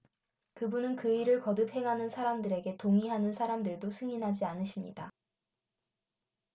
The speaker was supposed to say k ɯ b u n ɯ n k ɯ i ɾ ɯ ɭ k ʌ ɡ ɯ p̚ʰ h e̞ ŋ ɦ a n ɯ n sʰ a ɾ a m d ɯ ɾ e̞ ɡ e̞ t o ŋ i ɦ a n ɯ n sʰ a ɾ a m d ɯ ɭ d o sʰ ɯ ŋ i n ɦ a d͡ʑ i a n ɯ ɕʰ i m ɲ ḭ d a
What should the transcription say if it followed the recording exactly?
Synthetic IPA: k ɯ b u n ɯ n k ɯ i ɾ ɯ ɭ k ʌ d ɯ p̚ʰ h e̞ ŋ ɦ a n ɯ n sʰ a ɾ a m d ɯ ɾ e̞ ɡ e̞ t o ŋ i ɦ a n ɯ n sʰ a ɾ a m d ɯ ɭ d o sʰ ɯ ŋ i n ɦ a d͡ʑ i a n ɯ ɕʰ i m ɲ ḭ d a